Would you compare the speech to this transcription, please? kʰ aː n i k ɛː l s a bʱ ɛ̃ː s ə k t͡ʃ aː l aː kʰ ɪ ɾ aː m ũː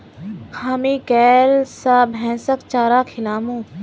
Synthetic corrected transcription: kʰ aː m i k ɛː l s a bʱ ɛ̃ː s ə k t͡ʃ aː ɾ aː kʰ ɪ l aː m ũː